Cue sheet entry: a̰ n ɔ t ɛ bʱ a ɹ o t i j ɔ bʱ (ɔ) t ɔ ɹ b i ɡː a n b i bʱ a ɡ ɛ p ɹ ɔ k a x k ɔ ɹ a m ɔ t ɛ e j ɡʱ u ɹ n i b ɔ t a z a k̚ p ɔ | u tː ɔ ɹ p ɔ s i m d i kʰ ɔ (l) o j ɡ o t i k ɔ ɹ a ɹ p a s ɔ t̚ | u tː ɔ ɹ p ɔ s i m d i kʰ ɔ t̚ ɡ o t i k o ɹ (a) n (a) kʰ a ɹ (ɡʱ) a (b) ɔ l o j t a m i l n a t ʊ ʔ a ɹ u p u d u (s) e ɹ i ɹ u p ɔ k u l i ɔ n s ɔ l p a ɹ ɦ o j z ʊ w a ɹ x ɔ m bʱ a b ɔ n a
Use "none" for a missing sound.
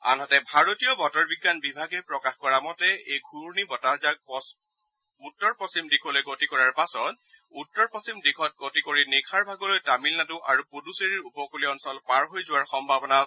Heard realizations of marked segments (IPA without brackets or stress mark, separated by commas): ɔ, l, i, i, bʱ, ɡ, s